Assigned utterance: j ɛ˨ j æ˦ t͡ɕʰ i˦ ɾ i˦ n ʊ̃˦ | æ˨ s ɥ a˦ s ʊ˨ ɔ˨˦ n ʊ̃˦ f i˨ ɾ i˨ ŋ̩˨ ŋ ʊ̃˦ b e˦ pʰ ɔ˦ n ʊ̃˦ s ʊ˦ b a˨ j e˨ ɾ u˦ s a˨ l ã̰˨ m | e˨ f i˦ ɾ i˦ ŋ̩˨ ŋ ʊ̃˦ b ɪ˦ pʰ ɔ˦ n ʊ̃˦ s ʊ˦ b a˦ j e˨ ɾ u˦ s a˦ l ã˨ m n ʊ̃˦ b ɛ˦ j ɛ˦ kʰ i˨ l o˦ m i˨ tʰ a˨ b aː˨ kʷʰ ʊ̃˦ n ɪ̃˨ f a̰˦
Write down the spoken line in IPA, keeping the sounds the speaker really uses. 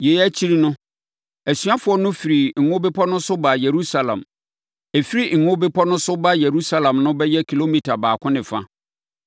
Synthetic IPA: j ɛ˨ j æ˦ t͡ɕʰ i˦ ɾ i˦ n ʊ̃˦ | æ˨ s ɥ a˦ f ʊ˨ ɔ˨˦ n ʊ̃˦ f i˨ ɾ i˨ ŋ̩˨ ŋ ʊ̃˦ b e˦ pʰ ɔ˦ n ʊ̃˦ s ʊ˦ b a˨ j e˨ ɾ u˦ s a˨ l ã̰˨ m | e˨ f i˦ ɾ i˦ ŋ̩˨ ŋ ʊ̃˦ b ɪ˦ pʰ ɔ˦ n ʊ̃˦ s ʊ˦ b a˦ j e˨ ɾ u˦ s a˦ l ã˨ m n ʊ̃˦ b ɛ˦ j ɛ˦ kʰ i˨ l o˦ m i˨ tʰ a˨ b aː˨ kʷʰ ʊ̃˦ n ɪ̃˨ f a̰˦